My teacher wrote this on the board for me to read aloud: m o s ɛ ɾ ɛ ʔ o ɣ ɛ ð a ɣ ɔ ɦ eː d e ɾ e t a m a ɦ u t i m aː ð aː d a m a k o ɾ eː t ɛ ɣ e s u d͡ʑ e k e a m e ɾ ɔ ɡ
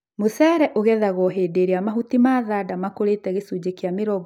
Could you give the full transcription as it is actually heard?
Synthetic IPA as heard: m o s ɛ ɾ ɛ ʔ o ɣ ɛ ð a ɣ ɔ ɦ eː d e ɾ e a m a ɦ u t i m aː ð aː d a m a k o ɾ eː t ɛ ɣ e s u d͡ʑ e k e a m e ɾ ɔ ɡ